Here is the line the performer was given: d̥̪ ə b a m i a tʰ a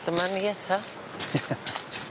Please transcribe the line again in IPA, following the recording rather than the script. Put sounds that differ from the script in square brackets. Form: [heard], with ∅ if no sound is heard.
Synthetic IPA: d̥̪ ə [m] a [n] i [ɛ] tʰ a